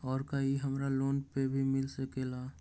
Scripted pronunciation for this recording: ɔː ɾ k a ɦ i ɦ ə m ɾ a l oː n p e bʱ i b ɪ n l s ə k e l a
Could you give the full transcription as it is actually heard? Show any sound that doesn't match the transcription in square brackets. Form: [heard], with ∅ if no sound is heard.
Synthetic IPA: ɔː ɾ k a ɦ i ɦ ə m ɾ a l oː n p e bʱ i [m] ɪ [∅] l s ə k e l a